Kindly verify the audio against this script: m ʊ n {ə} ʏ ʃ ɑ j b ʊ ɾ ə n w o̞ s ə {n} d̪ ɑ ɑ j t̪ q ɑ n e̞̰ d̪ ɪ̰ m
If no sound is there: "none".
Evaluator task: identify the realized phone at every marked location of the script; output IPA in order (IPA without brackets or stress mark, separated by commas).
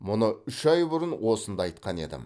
ə, n